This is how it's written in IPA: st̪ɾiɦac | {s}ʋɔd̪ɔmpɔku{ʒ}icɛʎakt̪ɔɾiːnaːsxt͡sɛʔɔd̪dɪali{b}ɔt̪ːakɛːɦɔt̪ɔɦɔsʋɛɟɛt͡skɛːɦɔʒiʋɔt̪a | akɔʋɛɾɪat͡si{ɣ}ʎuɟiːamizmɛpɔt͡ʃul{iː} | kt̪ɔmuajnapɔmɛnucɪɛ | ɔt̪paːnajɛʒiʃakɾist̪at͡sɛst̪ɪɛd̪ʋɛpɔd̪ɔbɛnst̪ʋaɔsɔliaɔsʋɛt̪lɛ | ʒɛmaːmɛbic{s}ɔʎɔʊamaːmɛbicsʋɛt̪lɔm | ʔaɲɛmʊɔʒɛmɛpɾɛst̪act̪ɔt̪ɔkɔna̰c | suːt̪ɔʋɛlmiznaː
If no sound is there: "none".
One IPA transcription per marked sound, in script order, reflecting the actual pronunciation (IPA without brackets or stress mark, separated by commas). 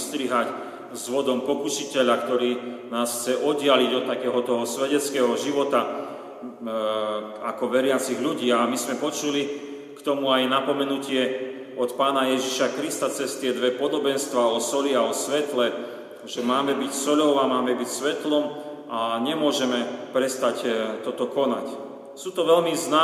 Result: z, ʃ, ɟ, ɣ, i, s